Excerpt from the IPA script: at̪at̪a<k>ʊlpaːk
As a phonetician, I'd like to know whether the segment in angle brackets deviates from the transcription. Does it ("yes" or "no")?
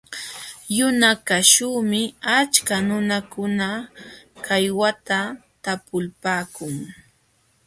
yes